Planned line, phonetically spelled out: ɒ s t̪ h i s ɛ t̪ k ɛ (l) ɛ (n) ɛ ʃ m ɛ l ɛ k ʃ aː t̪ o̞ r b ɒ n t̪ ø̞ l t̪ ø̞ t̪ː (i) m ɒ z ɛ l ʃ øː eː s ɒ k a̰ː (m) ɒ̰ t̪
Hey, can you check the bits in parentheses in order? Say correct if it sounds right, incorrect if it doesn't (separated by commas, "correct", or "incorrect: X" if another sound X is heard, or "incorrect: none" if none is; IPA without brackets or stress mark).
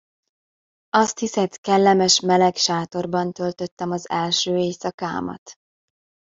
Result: incorrect: lː, incorrect: m, incorrect: ɛ, correct